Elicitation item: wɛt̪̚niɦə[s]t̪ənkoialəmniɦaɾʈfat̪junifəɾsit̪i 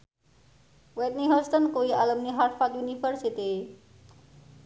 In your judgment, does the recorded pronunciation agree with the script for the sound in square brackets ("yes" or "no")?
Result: yes